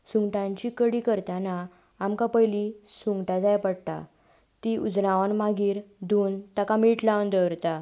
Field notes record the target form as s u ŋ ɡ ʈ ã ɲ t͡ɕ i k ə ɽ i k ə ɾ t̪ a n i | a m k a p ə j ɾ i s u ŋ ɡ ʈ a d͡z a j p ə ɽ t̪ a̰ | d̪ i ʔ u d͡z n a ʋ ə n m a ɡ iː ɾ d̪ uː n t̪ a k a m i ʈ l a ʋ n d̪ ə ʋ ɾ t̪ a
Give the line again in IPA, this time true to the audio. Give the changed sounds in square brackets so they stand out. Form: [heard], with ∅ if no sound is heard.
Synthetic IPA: s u ŋ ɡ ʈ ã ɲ t͡ɕ i k ə ɽ i k ə ɾ t̪ a n [a] | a m k a p ə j [l] i s u ŋ ɡ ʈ a d͡z a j p ə ɽ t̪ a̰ | [t̪] i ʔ u d͡z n a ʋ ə n m a ɡ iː ɾ d̪ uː n t̪ a k a m i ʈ l a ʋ n d̪ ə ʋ ɾ t̪ a